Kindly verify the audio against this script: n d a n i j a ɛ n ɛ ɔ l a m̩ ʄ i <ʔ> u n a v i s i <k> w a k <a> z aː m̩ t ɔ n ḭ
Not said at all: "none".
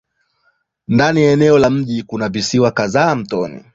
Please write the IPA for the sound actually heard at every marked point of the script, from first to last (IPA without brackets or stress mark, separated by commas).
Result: k, none, a